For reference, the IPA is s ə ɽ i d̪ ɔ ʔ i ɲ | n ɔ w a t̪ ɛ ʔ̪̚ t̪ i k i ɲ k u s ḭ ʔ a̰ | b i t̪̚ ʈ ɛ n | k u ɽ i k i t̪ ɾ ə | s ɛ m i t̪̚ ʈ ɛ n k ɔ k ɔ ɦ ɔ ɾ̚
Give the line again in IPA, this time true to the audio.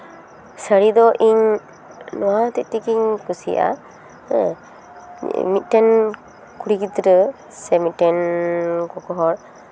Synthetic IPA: s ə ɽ i d̪ ɔ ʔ i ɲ | n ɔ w a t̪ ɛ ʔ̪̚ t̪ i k i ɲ k u s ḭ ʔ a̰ | m i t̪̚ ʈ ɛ n | k u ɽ i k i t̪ ɾ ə | s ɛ m i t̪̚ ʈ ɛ n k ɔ k ɔ ɦ ɔ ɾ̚